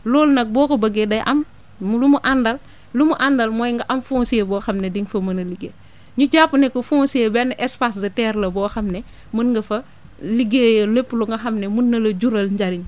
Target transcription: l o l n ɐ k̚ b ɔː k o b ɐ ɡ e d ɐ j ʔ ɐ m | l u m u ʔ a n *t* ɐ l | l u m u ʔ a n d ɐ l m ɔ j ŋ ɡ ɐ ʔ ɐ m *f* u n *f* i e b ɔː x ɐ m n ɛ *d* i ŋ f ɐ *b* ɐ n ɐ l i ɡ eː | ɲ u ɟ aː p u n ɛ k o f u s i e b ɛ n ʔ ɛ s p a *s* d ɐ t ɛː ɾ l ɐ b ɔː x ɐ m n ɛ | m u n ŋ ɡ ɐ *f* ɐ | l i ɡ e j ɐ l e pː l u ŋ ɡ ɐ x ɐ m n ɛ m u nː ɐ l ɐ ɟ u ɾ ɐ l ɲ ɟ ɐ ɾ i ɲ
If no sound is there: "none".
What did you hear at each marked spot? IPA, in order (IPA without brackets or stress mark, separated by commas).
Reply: d, f, s, d, m, s, f